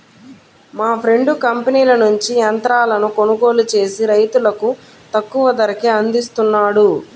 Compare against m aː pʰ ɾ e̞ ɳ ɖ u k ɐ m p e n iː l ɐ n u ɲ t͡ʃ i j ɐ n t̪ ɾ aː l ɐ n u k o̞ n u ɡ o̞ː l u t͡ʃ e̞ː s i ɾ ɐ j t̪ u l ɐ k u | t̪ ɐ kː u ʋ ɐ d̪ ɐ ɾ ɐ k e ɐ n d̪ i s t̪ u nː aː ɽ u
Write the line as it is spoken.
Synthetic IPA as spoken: m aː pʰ ɾ e̞ ɳ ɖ u k ɐ m p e n iː l ɐ n u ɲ t͡ʃ i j ɐ n t̪ ɾ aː l ɐ n u k o̞ n u ɡ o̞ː l u t͡ʃ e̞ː s i ɾ ɐ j t̪ u l ɐ k u | t̪ ɐ kː u ʋ ɐ d̪ ɐ ɾ ɐ k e ɐ n d̪ i s t̪ u nː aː ɽ u

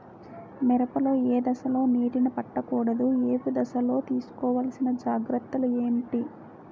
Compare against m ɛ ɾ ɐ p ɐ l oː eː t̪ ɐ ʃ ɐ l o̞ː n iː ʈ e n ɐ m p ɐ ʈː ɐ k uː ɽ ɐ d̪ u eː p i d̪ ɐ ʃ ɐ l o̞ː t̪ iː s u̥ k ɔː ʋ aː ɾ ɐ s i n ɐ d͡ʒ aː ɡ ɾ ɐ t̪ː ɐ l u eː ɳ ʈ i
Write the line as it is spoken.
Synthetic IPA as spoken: m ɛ ɾ ɐ p ɐ l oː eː d̪ ɐ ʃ ɐ l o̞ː n iː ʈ i n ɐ p ɐ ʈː ɐ k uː ɽ ɐ d̪ u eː p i d̪ ɐ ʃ ɐ l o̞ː t̪ iː s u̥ k ɔː ʋ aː l ɐ s i n ɐ d͡ʒ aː ɡ ɾ ɐ t̪ː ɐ l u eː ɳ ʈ i

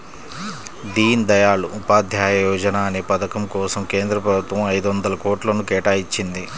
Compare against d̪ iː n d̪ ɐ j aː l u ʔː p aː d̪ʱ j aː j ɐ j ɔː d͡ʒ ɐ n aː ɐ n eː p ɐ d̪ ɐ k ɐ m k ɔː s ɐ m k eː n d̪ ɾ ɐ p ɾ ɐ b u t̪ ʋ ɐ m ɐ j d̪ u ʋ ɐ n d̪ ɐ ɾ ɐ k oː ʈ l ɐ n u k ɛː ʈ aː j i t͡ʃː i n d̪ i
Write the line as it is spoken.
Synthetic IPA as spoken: d̪ iː n d̪ ɐ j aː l u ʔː p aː d̪ʱ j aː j ɐ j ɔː d͡ʒ ɐ n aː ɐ n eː p ɐ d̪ ɐ k ɐ m k ɔː s ɐ m k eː n d̪ ɾ ɐ p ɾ ɐ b u t̪ ʋ ɐ m ɐ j d̪ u ʋ ɐ n d̪ ɐ l ɐ k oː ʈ l ɐ n u k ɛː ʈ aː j i t͡ʃː i n d̪ i

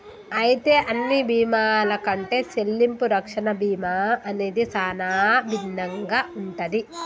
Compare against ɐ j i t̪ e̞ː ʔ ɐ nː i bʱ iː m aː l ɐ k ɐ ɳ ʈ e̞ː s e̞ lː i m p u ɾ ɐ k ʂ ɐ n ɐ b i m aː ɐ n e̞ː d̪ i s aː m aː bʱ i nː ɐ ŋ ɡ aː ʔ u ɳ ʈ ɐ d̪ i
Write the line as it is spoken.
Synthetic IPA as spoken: ɐ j i t̪ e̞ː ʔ ɐ nː i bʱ iː m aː l ɐ k ɐ ɳ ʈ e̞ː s e̞ lː i m p u ɾ ɐ k ʂ ɐ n ɐ b iː m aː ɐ n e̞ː d̪ i s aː n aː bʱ i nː ɐ ŋ ɡ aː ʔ u ɳ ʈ ɐ d̪ i

